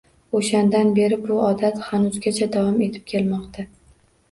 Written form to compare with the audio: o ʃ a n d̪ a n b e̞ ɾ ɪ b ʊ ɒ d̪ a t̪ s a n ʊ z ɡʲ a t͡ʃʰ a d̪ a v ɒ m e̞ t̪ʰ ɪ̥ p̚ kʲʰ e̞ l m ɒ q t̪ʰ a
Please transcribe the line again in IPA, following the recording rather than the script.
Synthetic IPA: o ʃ a n d̪ a n b e̞ ɾ ɪ b ʊ ɒ d̪ a t̪ χ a n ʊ z ɡʲ a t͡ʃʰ a d̪ a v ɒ m e̞ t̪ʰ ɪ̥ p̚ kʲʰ e̞ l m ɒ q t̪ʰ a